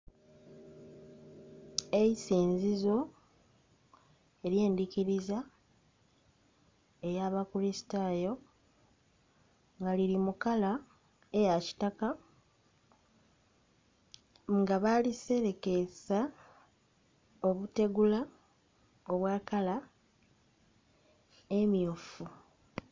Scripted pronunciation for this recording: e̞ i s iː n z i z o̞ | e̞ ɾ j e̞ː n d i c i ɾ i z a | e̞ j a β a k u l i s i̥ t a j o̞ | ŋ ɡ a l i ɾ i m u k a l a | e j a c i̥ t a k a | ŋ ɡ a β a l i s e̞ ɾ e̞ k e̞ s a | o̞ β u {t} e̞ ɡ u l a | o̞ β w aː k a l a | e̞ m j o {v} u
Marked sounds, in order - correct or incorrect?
correct, incorrect

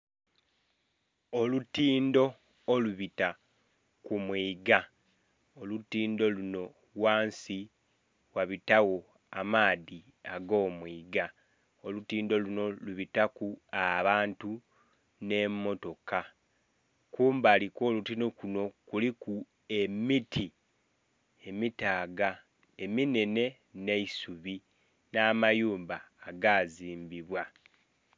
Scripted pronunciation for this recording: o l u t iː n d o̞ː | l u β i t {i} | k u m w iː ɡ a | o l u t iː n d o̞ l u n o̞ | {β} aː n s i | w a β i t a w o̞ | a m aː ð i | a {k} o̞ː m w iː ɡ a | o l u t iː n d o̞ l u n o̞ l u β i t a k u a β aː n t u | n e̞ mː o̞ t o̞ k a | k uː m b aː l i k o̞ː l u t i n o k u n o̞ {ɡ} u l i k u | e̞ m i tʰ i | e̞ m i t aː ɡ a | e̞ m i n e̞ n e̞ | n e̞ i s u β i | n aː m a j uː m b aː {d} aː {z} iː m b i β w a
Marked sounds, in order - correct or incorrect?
incorrect, incorrect, incorrect, incorrect, incorrect, correct

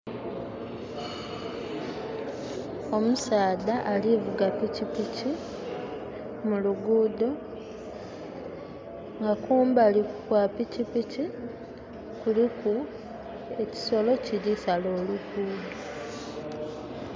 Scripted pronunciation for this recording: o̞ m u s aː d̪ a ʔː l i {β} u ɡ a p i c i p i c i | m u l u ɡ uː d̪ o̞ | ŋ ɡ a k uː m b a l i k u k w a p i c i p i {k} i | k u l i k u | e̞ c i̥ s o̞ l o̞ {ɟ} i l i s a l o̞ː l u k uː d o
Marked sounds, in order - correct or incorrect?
incorrect, incorrect, incorrect

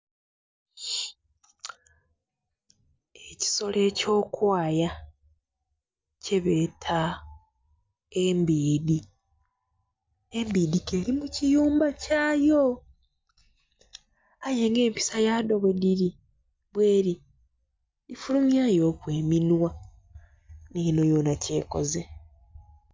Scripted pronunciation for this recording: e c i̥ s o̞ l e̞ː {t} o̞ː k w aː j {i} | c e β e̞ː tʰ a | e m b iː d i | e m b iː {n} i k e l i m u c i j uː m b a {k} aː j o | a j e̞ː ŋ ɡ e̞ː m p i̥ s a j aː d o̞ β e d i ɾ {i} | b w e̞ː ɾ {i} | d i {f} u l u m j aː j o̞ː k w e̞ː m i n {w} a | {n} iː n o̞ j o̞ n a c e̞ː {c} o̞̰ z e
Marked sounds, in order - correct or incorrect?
incorrect, incorrect, incorrect, incorrect, correct, correct, correct, correct, correct, incorrect

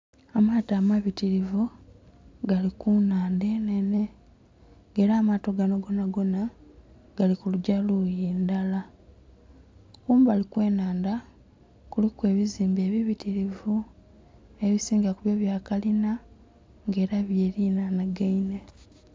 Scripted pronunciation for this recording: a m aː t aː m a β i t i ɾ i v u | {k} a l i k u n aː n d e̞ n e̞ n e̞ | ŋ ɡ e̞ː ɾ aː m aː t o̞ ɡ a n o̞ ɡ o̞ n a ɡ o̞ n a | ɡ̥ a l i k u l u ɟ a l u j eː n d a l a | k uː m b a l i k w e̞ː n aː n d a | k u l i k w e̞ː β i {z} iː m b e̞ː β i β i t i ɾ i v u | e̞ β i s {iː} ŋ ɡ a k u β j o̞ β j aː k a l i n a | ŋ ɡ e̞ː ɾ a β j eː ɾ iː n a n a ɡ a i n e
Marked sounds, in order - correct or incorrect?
incorrect, correct, correct

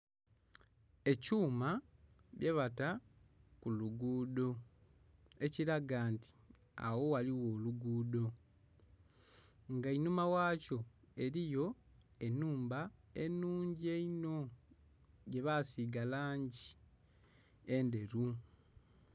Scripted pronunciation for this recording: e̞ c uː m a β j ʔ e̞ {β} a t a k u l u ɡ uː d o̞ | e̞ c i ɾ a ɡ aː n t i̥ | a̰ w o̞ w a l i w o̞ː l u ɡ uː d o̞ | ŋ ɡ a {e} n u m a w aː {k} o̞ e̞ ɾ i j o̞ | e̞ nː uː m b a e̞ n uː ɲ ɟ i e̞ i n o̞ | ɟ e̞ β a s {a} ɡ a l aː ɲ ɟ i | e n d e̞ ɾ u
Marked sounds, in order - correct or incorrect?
correct, incorrect, incorrect, incorrect

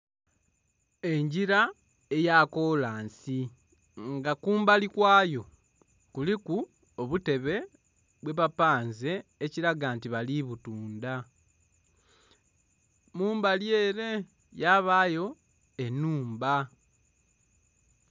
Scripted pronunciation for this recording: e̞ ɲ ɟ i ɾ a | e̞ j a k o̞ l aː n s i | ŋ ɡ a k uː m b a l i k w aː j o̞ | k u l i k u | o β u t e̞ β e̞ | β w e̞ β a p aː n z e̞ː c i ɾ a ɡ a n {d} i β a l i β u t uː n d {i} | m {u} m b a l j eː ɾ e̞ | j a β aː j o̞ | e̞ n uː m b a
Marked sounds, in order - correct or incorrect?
incorrect, incorrect, incorrect

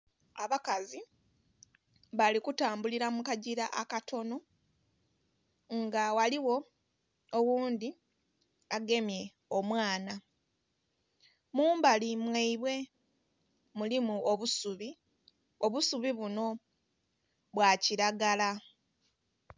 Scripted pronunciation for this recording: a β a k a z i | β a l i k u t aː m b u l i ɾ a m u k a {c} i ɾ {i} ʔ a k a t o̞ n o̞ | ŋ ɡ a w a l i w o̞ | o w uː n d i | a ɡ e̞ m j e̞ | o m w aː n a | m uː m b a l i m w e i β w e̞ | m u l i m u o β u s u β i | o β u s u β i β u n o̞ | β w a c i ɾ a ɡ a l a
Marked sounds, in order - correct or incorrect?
incorrect, incorrect

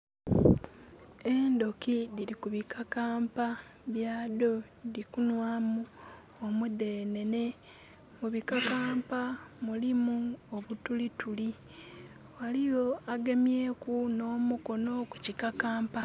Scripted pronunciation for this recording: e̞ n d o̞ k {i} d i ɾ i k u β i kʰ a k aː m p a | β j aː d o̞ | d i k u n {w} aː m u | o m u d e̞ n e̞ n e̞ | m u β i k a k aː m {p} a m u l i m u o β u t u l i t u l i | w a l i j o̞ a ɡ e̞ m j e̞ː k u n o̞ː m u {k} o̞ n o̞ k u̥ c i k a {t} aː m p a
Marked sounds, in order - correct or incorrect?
correct, correct, correct, correct, incorrect

